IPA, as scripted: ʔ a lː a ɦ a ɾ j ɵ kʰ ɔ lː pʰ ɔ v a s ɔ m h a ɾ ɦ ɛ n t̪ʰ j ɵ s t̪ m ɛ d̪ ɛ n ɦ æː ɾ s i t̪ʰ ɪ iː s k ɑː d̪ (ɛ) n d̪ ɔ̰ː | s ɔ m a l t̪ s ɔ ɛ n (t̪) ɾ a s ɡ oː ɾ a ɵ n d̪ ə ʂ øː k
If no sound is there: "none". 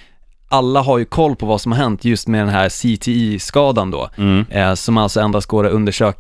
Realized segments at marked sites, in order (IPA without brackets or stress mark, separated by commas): a, d̪